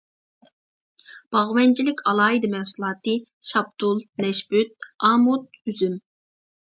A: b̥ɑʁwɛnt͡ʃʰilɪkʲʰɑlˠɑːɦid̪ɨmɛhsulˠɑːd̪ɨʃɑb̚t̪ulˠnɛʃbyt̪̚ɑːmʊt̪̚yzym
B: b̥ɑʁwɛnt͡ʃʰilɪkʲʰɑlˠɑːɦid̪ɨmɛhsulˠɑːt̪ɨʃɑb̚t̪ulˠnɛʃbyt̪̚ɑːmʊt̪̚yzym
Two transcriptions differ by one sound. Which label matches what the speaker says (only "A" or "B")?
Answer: B